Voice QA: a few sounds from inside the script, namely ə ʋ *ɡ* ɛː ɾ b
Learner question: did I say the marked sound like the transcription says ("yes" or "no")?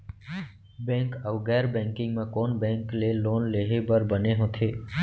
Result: yes